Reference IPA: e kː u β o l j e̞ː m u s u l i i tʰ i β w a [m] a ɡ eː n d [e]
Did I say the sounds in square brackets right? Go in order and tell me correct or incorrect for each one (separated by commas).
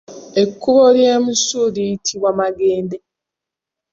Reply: correct, correct